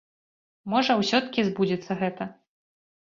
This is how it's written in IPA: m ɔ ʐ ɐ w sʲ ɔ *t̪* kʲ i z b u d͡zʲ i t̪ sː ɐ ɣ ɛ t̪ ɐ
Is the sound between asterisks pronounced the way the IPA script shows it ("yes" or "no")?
yes